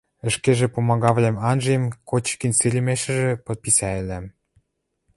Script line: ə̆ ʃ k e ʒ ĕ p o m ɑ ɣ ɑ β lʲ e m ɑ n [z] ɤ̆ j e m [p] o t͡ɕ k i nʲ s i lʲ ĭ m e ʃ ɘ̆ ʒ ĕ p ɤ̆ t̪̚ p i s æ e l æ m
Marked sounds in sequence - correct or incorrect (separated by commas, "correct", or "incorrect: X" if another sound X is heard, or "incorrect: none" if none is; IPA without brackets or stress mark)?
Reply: incorrect: ʒ, incorrect: k